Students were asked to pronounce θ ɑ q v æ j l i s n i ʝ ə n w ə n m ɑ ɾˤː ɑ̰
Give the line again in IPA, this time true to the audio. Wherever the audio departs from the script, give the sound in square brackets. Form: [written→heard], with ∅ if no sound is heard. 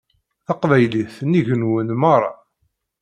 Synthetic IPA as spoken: θ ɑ q v æ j l i [s→θ] n i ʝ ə n w ə n m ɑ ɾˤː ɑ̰